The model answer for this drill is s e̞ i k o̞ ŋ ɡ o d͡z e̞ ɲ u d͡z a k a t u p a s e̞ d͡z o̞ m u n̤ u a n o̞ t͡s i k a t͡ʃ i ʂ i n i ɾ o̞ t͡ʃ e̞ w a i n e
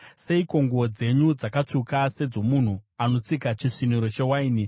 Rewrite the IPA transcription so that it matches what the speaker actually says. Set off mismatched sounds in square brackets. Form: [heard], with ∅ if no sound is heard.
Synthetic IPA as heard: s e̞ i k o̞ ŋ ɡ o d͡z e̞ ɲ u d͡z a k a [t͡ʂ] u [k] a s e̞ d͡z o̞ m u n̤ u a n o̞ t͡s i k a t͡ʃ i ʂ i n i ɾ o̞ t͡ʃ e̞ w a i n [i]